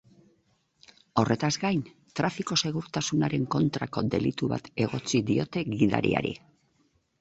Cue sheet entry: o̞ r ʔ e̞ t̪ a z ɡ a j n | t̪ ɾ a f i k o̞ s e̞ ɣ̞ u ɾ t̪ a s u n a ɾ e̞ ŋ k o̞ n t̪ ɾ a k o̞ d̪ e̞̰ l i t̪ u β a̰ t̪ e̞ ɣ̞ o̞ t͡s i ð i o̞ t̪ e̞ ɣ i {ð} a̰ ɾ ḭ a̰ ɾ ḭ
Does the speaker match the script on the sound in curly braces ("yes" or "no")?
yes